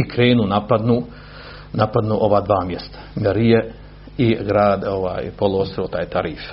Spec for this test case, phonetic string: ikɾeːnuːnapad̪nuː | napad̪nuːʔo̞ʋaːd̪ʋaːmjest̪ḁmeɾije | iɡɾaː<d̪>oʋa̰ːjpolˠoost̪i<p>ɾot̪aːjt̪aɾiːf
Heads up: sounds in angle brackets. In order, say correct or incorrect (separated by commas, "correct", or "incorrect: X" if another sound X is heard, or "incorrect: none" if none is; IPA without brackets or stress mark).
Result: correct, incorrect: none